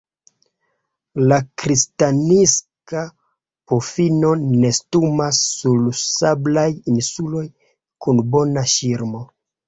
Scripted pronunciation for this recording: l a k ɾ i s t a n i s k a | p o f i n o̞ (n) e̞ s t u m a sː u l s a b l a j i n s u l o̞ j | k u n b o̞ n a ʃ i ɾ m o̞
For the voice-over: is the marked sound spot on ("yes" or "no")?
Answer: yes